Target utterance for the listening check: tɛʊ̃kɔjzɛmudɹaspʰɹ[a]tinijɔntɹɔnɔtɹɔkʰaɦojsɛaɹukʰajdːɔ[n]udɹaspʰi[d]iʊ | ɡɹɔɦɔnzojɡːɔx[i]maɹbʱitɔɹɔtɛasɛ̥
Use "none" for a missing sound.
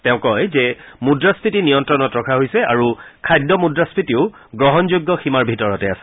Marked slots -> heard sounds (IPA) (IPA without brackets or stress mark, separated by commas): i, m, t, i